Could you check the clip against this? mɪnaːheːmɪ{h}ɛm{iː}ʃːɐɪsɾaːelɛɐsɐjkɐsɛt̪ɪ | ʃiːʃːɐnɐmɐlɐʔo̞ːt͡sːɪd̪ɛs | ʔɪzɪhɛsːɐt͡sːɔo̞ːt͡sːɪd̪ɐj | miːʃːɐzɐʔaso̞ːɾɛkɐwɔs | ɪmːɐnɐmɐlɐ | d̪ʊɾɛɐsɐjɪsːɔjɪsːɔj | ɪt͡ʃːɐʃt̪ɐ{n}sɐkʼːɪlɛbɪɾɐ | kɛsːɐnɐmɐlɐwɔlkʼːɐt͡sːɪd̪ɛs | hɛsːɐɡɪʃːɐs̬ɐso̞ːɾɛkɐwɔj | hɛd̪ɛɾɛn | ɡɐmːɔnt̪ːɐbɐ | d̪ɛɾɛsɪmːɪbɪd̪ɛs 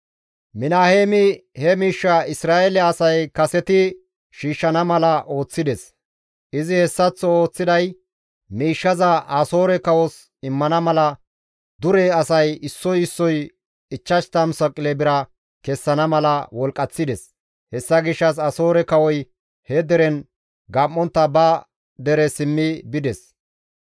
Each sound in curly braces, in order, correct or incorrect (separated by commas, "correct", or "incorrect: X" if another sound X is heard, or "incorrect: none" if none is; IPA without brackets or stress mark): correct, correct, incorrect: m